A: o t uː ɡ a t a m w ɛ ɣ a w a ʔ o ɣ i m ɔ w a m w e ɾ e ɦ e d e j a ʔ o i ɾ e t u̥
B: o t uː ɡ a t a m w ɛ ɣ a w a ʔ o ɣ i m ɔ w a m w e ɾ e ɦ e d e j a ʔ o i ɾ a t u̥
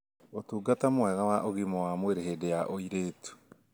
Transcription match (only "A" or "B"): A